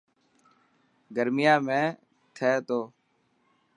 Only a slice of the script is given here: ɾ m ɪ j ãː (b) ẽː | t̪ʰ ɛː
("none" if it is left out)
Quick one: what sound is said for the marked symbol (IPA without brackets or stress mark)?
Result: m